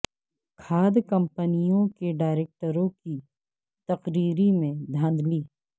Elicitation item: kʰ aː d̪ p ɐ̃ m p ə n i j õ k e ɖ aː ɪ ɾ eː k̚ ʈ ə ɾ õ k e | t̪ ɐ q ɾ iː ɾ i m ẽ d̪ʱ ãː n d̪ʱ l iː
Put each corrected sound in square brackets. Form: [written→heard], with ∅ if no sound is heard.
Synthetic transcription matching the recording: kʰ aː d̪ [p→k] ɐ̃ m p ə n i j õ k e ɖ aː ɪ ɾ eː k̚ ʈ ə ɾ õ k [e→i] | t̪ ɐ q ɾ iː ɾ i m ẽ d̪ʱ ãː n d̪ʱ l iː